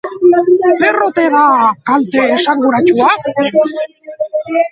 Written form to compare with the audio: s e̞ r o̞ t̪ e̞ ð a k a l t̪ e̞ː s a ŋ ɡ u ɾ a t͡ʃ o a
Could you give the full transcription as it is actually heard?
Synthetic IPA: s e̞ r o̞ t̪ e̞ ð a k a l t̪ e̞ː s a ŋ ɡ u ɾ a t͡ʃ u a